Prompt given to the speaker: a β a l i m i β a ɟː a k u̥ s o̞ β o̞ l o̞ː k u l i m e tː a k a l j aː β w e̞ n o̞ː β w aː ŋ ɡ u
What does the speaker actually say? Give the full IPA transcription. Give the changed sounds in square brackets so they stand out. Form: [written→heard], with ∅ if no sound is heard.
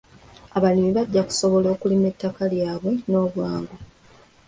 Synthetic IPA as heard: a β a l i m i β a ɟː a k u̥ s o̞ β o̞ l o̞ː k u l i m e tː a k a l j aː β w e̞ n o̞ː β w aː ŋ ɡ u